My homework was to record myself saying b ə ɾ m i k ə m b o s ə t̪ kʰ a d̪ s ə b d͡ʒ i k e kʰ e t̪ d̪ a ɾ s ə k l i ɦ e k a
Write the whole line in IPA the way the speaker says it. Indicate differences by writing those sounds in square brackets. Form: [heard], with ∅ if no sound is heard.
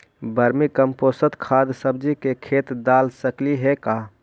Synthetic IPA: b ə ɾ m i k ə m [p] o s ə t̪ kʰ a d̪ s ə b d͡ʒ i k e kʰ e t̪ d̪ a [l] s ə k l i ɦ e k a

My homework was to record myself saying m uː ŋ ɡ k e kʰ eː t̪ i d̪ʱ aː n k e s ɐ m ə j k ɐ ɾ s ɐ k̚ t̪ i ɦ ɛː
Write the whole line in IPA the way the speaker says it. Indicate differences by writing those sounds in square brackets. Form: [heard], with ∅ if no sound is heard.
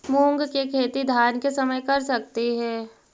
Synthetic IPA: m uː ŋ ɡ k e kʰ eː t̪ i d̪ʱ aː n k e s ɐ m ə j k ɐ ɾ s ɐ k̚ t̪ i ɦ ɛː

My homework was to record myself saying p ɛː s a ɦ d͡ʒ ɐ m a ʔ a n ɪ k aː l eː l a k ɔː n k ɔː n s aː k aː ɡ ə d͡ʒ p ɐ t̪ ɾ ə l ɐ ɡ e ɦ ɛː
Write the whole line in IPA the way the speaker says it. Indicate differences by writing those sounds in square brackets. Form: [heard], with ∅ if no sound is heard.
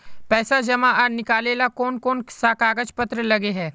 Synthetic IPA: p ɛː s a [∅] d͡ʒ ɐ m a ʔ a n ɪ k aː l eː l a k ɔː n k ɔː n s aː k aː ɡ ə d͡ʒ p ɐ t̪ ɾ ə l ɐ ɡ e ɦ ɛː

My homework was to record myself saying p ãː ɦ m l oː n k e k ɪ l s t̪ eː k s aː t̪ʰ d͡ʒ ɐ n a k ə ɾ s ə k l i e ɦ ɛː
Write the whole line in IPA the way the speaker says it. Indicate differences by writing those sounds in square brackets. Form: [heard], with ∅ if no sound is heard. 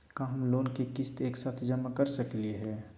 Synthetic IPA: [k] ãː ɦ m l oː n k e k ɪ [∅] s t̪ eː k s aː t̪ʰ d͡ʒ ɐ [m] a k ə ɾ s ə k l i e ɦ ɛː

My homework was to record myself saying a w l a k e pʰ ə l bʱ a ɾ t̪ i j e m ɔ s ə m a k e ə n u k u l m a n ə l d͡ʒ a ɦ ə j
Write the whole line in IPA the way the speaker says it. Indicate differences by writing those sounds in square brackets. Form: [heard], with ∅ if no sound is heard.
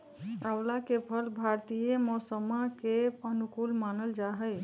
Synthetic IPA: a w l a k e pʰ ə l bʱ a ɾ t̪ i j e m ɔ s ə m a k e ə n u k u l m a n ə l d͡ʒ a ɦ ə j

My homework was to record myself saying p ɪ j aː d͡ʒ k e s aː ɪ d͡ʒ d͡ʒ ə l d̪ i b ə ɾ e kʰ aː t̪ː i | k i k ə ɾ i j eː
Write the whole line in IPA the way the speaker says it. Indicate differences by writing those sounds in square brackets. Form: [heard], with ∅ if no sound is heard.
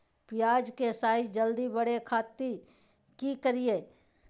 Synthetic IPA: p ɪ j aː d͡ʒ k e s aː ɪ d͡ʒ d͡ʒ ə l d̪ i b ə [ɽ] e kʰ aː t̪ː i | k i k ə ɾ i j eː

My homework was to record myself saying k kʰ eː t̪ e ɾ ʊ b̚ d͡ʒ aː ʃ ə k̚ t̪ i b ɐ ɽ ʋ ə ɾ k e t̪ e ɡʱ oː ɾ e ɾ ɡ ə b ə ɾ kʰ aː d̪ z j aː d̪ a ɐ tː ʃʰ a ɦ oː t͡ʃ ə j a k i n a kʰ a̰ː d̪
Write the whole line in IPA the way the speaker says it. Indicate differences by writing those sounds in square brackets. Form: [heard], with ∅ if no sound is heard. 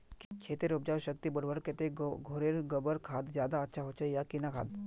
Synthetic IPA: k kʰ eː t̪ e ɾ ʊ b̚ d͡ʒ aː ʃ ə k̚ t̪ i b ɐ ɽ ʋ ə ɾ k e t̪ e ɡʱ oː ɾ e ɾ ɡ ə b ə ɾ kʰ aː d̪ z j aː d̪ a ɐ tː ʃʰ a ɦ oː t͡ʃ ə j a k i n a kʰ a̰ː d̪

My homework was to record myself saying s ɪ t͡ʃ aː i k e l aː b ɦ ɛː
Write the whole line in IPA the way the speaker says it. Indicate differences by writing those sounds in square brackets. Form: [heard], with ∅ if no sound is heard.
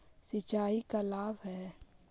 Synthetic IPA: s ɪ t͡ʃ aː i k [a] l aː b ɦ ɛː

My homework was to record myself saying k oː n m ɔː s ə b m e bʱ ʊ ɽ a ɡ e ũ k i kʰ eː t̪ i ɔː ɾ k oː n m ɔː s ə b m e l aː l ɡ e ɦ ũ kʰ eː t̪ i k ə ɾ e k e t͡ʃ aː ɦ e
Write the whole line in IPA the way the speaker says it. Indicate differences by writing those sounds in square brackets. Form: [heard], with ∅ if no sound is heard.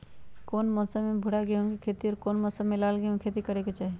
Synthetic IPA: k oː n m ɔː s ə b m e bʱ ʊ ɽ a ɡ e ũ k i kʰ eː t̪ i ɔː ɾ k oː n m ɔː s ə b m e l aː l ɡ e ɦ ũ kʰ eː t̪ i k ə ɾ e k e t͡ʃ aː ɦ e

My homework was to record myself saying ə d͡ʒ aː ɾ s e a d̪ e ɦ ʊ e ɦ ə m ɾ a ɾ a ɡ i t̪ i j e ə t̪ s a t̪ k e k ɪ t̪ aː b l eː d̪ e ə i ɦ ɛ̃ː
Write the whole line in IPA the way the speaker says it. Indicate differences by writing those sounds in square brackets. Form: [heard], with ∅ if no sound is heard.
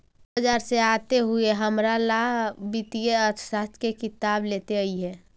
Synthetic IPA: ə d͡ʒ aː ɾ s e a [t̪] e ɦ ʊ e ɦ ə m ɾ a [l] a [b] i t̪ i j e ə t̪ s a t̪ k e k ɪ t̪ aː b l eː [t̪] e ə i ɦ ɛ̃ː

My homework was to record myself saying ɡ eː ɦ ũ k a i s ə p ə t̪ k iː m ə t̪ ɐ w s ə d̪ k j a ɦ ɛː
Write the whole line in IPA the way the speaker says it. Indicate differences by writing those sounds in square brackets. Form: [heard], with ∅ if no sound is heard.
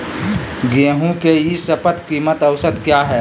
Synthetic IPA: ɡ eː ɦ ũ k [e] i s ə p ə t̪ k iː m ə t̪ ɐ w s ə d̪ k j a ɦ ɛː

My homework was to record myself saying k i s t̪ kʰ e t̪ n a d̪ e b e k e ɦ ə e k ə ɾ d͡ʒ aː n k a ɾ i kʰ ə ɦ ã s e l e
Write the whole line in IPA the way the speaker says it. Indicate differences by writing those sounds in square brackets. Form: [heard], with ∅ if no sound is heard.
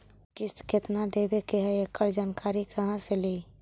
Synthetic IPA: k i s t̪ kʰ e t̪ n a d̪ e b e k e ɦ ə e k ə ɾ d͡ʒ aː n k a ɾ i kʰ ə ɦ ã s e l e

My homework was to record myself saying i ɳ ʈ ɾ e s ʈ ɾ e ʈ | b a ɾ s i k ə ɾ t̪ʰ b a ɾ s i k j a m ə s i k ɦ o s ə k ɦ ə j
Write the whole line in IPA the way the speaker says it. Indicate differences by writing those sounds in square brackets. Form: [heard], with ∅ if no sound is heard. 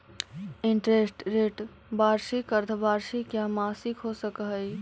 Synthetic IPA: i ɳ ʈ ɾ e s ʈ ɾ e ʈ | b a ɾ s i k ə ɾ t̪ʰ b a ɾ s i k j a m [a] s i k ɦ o s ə k ɦ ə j

